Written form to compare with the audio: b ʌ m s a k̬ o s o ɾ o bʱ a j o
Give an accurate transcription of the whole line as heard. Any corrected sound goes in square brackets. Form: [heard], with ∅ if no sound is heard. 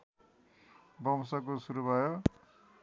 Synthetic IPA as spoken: b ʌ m s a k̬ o s [u] ɾ [u] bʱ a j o